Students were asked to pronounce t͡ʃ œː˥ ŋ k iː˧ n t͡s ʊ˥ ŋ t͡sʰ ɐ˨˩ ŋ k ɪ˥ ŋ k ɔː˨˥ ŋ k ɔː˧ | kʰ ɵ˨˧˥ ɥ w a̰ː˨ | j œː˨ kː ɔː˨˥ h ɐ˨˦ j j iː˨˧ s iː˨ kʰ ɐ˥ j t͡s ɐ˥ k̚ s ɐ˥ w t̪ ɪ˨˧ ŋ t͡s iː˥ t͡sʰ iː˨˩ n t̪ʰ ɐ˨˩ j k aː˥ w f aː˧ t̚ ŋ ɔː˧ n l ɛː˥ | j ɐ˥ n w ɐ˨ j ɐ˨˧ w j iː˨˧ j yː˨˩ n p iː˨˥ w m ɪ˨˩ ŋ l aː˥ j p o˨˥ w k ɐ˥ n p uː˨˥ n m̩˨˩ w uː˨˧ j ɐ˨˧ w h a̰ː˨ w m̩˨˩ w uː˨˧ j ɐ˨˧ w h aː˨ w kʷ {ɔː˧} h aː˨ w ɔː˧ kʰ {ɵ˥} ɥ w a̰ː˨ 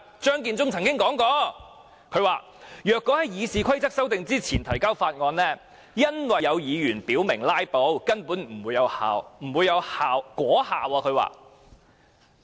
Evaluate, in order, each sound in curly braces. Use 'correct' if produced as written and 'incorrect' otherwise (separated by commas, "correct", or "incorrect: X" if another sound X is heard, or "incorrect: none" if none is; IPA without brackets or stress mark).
incorrect: ɔː˨˥, incorrect: ɵ˨˧